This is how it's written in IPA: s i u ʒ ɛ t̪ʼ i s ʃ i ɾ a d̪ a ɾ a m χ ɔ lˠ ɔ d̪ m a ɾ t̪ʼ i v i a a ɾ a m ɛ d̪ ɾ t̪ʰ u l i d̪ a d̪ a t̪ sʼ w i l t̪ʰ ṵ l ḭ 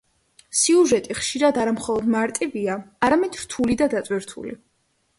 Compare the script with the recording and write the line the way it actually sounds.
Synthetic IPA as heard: s i u ʒ ɛ t̪ʼ i χ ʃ i ɾ a d̪ a ɾ a m χ ɔ lˠ ɔ d̪ m a ɾ t̪ʼ i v i a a ɾ a m ɛ d̪ ɾ t̪ʰ u l i d̪ a d̪ a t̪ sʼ w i ɾ t̪ʰ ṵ l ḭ